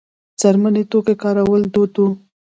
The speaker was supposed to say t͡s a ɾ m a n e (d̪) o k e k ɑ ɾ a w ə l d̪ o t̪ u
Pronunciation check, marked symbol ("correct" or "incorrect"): incorrect